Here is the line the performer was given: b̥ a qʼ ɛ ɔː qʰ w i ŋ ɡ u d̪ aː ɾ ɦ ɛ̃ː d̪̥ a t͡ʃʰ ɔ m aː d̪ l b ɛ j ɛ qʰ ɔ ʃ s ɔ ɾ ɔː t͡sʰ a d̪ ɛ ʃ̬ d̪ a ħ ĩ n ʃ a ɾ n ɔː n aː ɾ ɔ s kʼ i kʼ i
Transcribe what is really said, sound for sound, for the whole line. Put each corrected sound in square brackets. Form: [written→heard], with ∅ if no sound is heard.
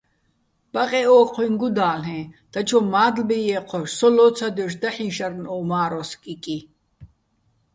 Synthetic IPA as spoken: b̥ a qʼ ɛ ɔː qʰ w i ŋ ɡ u d̪ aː [ɾ→l] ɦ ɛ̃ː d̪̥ a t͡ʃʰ ɔ m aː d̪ l b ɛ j ɛ qʰ ɔ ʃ s ɔ [ɾ→l] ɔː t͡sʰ a d̪ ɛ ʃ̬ d̪ a ħ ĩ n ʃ a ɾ n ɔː [n→m] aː ɾ ɔ s kʼ i kʼ i